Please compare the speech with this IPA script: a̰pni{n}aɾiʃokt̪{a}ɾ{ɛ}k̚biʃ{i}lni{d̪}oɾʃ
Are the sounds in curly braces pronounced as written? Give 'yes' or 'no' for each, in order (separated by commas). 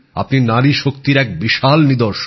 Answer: yes, no, yes, no, yes